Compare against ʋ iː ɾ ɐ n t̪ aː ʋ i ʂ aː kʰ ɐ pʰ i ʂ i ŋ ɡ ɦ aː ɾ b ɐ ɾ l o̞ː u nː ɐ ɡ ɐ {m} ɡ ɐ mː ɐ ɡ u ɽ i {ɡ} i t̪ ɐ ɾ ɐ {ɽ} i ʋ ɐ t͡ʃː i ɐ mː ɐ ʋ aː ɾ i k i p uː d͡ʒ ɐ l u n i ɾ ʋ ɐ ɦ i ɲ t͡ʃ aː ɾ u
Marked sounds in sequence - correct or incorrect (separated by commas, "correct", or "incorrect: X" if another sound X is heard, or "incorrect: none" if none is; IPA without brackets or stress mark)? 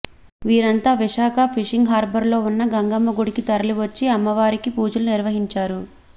incorrect: ŋ, incorrect: k, incorrect: l